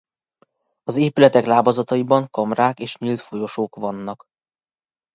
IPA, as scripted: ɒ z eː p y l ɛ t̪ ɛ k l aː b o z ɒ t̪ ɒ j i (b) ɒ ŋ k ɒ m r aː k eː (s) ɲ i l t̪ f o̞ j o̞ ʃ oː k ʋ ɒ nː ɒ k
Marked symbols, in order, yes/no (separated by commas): yes, no